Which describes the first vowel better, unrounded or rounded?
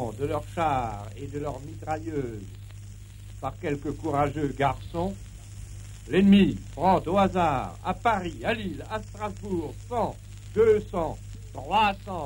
unrounded